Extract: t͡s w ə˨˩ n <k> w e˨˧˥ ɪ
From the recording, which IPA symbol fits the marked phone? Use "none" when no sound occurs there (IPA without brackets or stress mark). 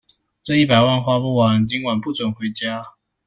x